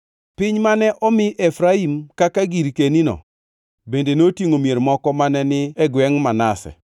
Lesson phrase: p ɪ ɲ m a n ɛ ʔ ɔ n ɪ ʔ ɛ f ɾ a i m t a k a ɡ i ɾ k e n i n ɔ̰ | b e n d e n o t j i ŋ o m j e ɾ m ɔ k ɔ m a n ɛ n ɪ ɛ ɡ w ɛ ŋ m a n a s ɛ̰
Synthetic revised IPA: p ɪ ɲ m a n ɛ ʔ ɔ m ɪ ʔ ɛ f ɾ a i m k a k a ɡ i ɾ k e n i n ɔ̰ | b e n d e n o t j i ŋ o m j e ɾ m ɔ k ɔ m a n ɛ n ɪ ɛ ɡ w ɛ ŋ m a n a s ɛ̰